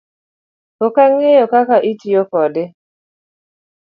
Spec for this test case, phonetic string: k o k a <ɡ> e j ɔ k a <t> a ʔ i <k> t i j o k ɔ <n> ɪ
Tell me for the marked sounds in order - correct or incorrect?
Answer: incorrect, incorrect, incorrect, incorrect

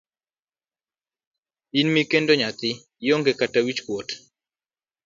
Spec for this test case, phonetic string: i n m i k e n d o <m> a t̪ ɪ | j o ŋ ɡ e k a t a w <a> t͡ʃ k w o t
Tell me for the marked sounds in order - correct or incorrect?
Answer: incorrect, incorrect

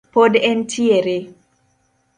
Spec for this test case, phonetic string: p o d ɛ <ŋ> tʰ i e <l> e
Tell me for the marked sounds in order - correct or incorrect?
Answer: incorrect, incorrect

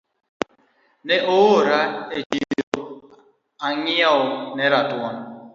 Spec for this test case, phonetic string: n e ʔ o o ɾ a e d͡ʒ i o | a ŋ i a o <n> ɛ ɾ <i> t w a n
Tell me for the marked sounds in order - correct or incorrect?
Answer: correct, incorrect

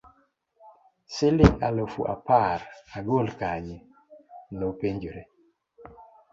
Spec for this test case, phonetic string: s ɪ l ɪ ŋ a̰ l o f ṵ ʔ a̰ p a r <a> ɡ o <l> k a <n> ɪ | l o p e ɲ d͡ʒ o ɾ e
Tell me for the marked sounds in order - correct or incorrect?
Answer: correct, correct, incorrect

